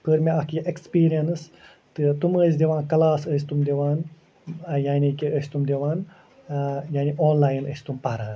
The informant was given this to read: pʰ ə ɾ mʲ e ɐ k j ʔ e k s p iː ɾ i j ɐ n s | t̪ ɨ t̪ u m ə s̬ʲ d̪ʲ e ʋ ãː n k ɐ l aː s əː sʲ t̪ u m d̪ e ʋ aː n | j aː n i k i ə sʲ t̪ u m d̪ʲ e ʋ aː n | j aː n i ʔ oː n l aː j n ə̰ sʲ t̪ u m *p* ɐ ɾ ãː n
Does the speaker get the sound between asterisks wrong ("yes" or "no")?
no